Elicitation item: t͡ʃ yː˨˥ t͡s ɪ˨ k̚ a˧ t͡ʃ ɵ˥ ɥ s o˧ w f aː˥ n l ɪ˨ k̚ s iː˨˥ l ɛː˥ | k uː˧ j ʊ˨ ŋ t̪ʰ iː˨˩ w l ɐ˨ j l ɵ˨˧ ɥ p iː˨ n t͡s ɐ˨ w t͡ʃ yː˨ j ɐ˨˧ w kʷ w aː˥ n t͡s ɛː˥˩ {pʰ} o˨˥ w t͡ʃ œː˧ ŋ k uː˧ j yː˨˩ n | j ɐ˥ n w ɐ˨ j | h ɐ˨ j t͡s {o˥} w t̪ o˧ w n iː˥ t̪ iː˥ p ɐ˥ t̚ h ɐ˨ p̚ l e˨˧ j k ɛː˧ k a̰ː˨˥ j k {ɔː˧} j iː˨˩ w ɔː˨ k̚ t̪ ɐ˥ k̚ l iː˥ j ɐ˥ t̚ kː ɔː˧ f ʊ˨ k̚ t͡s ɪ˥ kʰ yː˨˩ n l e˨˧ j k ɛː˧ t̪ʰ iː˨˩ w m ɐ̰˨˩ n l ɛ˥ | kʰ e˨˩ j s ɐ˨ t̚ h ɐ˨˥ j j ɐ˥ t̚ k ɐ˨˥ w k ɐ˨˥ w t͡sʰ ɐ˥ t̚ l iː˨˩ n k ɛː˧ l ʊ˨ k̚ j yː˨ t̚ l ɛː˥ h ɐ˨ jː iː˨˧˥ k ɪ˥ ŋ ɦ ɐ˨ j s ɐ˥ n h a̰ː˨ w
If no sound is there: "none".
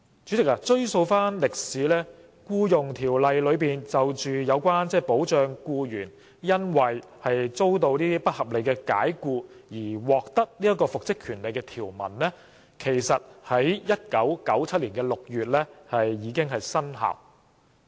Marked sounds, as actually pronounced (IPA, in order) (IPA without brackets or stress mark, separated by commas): p, o˥, uː˧